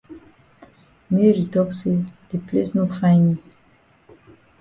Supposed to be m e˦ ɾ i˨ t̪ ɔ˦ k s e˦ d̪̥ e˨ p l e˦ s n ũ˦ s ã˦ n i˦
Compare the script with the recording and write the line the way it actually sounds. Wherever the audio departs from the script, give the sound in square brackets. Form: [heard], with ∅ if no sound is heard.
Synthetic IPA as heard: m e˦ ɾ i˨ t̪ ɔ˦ k s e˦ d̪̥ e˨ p l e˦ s n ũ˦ [f] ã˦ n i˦

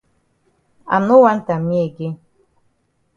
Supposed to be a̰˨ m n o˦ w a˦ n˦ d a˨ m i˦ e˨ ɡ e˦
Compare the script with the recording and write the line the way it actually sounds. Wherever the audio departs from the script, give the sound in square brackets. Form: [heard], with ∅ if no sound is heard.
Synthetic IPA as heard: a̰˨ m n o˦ w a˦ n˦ [t] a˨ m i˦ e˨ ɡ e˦

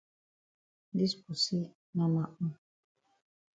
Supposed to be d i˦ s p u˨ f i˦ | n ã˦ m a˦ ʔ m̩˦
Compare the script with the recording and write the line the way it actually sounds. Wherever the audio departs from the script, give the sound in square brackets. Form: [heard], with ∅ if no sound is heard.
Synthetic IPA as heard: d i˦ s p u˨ [s] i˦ | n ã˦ m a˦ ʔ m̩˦

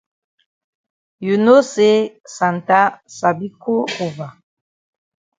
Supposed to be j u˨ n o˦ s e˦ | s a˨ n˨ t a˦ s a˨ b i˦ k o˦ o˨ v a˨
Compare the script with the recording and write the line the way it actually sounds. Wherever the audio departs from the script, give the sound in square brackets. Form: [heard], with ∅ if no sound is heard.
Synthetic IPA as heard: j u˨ n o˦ s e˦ | s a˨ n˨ t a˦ s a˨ b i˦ k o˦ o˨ v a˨

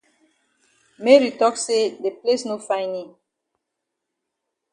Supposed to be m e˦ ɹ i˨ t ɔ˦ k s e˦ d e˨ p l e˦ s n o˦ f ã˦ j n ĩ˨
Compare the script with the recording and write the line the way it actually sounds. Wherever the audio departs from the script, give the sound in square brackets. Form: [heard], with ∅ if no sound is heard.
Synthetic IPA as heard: m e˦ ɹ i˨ t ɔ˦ k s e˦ d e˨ p l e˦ s n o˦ f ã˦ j n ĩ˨

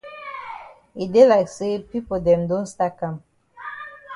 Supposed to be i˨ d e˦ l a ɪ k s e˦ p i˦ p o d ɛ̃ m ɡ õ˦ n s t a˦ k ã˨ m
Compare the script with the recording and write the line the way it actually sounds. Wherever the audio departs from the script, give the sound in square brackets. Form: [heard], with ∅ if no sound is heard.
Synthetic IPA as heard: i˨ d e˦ l a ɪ k s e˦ p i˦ p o d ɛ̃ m [d] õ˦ n s t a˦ k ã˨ m

